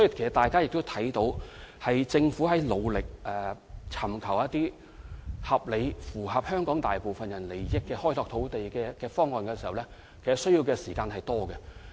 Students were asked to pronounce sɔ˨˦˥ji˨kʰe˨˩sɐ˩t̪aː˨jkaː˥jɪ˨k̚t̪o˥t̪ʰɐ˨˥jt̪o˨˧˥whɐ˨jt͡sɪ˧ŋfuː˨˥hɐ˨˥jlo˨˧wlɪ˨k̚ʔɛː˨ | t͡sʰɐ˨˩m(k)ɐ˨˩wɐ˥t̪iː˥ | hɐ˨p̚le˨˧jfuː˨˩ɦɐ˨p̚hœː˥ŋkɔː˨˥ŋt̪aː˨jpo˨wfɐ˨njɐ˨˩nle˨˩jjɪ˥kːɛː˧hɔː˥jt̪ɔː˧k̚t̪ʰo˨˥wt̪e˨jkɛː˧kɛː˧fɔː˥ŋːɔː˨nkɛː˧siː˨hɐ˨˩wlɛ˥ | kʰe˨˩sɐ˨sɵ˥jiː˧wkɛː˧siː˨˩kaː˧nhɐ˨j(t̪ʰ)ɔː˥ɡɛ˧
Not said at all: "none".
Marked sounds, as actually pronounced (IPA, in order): kʰ, t̪

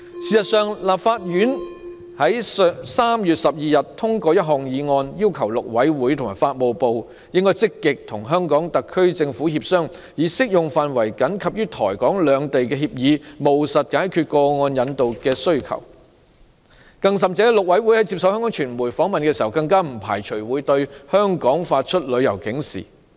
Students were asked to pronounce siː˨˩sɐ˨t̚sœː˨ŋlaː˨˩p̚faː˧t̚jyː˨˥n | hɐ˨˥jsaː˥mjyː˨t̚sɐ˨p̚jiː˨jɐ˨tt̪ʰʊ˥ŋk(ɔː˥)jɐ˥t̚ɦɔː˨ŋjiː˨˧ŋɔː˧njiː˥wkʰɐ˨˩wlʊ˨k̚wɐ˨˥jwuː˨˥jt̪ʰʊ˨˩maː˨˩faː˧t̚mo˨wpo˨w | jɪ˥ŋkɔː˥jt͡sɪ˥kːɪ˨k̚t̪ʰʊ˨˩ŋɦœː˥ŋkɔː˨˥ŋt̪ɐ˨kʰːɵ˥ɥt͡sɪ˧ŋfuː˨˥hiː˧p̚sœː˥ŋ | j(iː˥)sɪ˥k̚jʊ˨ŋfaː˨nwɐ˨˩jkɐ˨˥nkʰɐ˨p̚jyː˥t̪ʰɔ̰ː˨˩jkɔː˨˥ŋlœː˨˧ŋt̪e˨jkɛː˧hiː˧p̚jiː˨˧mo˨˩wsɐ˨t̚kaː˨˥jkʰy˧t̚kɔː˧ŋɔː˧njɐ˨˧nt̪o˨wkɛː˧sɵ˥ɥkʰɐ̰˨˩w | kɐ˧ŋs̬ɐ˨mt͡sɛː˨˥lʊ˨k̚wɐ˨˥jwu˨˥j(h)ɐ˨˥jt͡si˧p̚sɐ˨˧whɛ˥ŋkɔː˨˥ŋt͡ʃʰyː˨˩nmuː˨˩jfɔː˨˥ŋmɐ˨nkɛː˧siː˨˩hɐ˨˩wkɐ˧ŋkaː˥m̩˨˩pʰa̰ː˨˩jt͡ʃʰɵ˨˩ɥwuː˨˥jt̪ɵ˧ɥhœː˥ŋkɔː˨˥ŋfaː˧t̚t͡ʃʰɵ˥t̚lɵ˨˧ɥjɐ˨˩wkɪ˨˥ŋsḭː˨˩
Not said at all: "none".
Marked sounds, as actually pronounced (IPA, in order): ɔː˧, iː˨˥, h

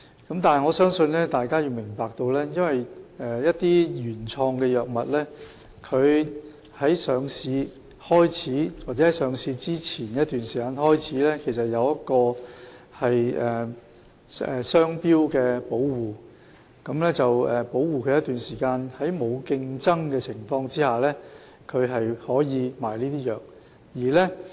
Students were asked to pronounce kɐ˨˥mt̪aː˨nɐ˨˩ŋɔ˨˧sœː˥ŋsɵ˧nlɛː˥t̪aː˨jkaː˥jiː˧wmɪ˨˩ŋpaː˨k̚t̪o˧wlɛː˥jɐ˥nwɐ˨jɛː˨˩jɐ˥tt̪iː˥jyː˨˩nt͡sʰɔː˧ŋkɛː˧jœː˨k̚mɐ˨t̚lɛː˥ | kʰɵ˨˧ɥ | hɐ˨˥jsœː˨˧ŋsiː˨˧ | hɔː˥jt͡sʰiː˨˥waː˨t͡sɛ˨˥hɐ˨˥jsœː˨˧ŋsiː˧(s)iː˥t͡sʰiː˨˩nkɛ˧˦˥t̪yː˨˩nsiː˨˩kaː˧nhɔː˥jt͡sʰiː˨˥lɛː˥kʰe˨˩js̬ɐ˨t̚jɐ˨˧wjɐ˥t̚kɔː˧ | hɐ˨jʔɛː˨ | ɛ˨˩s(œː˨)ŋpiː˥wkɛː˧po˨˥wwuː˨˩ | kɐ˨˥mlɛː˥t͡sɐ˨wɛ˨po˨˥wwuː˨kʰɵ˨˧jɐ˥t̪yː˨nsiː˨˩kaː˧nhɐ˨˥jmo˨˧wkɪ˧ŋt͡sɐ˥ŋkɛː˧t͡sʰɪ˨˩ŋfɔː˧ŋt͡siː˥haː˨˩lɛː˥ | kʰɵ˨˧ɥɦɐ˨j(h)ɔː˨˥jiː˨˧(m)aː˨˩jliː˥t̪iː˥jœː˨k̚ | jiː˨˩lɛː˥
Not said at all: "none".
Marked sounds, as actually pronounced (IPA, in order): t͡s, œː˥, h, m

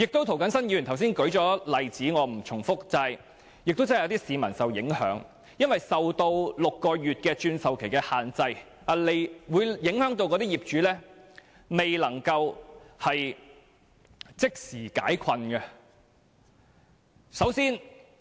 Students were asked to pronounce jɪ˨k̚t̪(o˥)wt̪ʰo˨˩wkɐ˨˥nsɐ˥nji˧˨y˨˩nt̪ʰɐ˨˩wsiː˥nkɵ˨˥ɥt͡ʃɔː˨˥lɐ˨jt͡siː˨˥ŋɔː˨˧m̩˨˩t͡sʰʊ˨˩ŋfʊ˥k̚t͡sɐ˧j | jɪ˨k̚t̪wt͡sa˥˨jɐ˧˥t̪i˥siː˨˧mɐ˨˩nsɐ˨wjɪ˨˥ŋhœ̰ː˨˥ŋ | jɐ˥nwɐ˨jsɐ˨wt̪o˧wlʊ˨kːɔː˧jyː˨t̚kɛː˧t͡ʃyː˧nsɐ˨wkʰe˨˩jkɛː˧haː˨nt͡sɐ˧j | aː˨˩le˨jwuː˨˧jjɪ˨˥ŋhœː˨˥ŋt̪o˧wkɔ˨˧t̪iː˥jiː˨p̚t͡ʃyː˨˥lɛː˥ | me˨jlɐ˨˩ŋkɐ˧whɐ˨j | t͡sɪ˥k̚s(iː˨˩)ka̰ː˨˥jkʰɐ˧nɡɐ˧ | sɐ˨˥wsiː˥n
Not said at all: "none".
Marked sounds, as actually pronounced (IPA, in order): o˥, iː˨˩

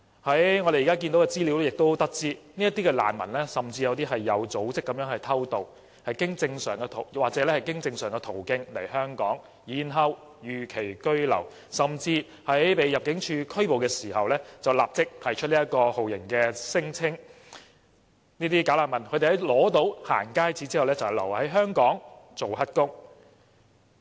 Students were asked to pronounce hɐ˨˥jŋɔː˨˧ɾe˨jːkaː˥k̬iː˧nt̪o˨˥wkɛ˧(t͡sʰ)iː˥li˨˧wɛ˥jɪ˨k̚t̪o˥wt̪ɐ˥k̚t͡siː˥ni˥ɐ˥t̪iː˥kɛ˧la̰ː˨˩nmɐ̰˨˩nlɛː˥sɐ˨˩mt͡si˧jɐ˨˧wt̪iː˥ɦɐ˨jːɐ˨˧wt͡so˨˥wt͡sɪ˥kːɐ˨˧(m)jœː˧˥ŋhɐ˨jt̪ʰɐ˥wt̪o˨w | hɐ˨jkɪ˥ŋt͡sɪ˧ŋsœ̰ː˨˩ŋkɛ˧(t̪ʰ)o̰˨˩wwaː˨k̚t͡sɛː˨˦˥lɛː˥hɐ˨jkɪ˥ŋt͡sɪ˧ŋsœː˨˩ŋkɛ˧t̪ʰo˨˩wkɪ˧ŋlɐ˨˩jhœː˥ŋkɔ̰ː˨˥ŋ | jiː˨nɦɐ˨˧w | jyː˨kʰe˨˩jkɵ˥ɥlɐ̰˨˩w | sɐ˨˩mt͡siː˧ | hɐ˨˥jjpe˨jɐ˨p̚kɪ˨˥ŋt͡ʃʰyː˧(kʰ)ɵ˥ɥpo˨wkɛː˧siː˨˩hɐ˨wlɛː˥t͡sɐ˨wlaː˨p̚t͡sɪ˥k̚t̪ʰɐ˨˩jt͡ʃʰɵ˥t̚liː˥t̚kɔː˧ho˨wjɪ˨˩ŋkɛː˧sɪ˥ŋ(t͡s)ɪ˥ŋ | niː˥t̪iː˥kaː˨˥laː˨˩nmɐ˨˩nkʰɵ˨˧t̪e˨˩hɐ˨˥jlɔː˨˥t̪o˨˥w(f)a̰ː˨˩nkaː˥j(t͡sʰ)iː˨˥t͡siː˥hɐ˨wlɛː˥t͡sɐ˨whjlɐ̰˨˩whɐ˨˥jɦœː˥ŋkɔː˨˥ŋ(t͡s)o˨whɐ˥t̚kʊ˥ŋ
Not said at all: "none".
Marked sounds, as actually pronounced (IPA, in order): t͡s, m, t̪ʰ, kʰ, t͡sʰ, h, t͡s, t͡s

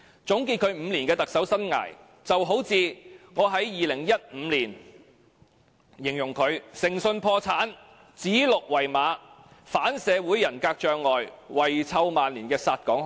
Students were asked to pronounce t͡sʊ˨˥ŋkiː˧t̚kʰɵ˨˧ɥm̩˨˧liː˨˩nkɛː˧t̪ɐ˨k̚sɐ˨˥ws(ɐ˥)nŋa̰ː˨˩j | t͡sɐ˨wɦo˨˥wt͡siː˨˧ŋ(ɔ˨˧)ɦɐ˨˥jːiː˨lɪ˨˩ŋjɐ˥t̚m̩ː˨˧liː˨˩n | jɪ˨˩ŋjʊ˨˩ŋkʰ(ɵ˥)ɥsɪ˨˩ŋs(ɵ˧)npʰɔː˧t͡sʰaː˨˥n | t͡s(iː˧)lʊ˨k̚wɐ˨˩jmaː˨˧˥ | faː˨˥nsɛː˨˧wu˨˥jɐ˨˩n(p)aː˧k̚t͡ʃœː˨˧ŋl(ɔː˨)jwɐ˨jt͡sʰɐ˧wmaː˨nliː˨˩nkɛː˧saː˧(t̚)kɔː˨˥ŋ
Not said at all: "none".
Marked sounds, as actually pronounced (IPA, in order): ɐ˥, ɔː˨˧, ɵ˨˧, ɵ˧, iː˨˥, k, ɔː˨, t̚

